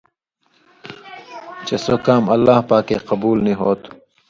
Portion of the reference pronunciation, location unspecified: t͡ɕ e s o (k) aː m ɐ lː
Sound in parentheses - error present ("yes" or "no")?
no